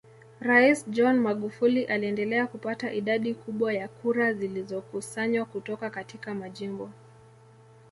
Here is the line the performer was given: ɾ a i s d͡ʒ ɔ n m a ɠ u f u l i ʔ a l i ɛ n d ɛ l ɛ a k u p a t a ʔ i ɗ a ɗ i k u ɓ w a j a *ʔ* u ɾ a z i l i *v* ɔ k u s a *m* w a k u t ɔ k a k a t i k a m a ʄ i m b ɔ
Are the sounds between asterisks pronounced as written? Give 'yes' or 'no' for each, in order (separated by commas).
no, no, no